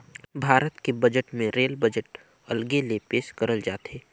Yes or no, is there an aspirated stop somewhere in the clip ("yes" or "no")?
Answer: no